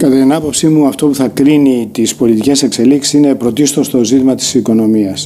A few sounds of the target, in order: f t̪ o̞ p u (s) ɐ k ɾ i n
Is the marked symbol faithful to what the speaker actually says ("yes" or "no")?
no